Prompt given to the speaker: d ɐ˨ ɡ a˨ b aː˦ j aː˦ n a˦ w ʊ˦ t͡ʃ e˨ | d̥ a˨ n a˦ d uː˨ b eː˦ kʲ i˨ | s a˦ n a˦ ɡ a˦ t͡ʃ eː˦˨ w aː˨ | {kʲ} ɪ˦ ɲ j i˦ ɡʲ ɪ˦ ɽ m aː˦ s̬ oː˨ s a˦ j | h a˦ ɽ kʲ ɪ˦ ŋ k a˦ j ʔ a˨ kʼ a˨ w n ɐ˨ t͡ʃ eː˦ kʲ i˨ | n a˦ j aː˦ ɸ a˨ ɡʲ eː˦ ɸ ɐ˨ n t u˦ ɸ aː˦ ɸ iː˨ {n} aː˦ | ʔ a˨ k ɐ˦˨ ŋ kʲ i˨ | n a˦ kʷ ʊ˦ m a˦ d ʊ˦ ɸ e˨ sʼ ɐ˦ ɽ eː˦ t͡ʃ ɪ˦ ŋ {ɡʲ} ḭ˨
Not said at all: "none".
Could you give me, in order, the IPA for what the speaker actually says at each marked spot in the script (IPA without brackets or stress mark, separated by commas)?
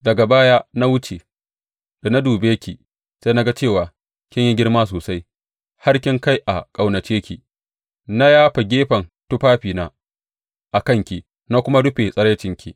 kʲ, n, kʲ